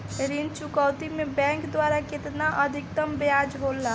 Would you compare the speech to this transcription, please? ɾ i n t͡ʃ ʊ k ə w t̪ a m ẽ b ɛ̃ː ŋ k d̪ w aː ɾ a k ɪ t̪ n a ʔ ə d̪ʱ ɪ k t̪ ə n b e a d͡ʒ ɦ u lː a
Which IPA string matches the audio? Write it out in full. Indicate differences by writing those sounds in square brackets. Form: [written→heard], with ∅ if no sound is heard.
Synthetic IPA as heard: ɾ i n t͡ʃ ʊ k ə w t̪ [a→i] m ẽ b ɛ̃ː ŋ k d̪ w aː ɾ a k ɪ t̪ n a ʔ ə d̪ʱ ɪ k t̪ ə [n→m] b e a d͡ʒ ɦ [u→o] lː a